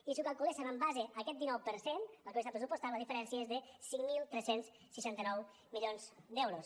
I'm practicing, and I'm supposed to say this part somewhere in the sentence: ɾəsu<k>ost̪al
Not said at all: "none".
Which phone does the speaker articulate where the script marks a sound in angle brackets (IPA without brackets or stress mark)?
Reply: p